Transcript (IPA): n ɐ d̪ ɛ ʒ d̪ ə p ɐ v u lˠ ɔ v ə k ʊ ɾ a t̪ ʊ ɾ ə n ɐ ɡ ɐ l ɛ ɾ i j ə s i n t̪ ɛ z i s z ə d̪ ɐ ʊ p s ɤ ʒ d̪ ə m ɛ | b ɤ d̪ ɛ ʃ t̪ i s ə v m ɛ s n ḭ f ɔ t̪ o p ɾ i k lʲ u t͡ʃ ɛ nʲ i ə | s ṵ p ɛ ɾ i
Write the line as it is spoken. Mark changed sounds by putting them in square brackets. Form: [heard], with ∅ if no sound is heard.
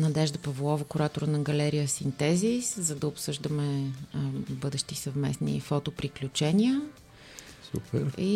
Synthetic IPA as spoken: n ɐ d̪ ɛ ʒ d̪ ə p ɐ v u lˠ ɔ v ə k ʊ ɾ a t̪ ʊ ɾ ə n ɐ ɡ ɐ l ɛ ɾ i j ə s i n t̪ ɛ z i s z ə d̪ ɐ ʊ p s ɤ ʒ d̪ ə m ɛ | b ɤ d̪ ɛ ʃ t̪ i s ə v m ɛ s n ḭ f ɔ t̪ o p ɾ i k lʲ u t͡ʃ ɛ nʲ i ə | s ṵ p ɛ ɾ i